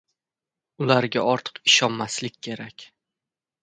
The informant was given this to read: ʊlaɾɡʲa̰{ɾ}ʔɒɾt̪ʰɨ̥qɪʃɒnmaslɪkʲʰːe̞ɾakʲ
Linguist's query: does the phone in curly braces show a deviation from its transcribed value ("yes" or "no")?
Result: yes